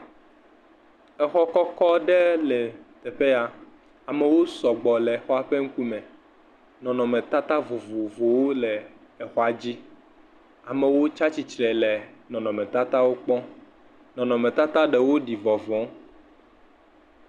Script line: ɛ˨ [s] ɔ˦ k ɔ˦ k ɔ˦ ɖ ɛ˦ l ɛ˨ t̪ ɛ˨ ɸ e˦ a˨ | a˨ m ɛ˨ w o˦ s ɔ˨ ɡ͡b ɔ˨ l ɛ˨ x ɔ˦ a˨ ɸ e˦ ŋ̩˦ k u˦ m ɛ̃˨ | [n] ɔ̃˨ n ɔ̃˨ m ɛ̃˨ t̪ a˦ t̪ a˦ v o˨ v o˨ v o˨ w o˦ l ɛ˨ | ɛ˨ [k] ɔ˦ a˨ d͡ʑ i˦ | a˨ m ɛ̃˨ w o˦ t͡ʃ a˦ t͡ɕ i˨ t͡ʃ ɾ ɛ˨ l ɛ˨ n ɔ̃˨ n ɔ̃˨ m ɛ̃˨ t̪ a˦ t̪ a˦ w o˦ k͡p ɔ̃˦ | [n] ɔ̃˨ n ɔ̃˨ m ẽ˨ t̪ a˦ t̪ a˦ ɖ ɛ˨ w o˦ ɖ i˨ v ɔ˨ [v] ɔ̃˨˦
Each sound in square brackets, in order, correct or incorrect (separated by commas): incorrect, correct, incorrect, correct, correct